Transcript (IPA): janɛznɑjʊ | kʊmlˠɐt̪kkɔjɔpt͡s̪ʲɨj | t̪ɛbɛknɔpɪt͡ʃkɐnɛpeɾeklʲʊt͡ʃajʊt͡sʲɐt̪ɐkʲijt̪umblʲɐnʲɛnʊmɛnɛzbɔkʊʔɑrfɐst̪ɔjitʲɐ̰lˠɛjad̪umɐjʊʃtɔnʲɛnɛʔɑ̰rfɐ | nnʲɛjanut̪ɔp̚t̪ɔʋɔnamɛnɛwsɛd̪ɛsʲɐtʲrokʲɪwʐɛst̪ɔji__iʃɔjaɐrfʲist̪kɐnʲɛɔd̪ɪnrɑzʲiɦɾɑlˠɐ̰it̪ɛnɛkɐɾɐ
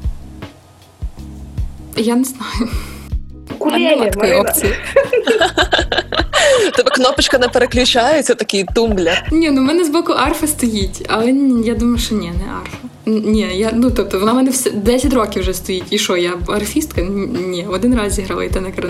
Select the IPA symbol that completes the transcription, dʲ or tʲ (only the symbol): tʲ